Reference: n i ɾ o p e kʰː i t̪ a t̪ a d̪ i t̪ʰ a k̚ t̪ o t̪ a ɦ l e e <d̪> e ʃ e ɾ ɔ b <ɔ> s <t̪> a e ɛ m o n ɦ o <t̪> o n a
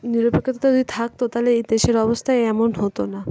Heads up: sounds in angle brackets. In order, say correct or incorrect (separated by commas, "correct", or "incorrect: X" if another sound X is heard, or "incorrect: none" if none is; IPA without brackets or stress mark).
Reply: correct, incorrect: o, incorrect: t̪ʰ, correct